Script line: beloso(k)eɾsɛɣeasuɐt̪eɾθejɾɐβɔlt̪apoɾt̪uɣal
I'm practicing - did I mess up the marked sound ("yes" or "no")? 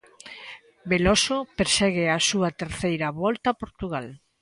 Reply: yes